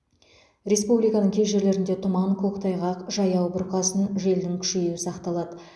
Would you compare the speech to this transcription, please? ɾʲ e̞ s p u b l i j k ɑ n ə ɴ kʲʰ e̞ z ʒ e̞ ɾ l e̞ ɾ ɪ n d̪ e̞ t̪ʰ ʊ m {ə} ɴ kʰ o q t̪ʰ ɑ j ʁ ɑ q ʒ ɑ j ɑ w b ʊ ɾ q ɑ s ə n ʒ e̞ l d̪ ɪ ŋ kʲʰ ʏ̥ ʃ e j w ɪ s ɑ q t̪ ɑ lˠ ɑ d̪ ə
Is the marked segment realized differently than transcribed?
yes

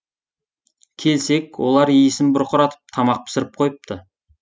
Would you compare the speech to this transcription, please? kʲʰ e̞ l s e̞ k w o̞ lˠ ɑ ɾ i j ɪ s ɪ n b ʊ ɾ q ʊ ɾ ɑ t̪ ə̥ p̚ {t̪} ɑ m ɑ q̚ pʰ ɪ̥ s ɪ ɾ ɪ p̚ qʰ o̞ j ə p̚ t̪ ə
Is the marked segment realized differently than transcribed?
yes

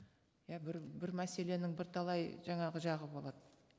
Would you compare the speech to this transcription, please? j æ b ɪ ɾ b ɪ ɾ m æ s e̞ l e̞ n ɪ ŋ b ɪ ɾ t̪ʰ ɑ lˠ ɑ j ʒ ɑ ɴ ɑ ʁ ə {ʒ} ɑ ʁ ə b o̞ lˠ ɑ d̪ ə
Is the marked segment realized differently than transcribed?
no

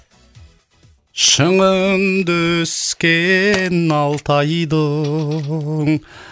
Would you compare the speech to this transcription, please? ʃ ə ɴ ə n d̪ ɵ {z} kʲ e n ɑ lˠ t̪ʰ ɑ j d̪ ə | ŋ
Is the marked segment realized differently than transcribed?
yes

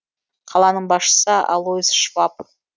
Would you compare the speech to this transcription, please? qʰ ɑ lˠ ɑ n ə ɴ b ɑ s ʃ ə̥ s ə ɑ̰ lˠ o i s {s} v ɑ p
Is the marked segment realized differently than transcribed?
yes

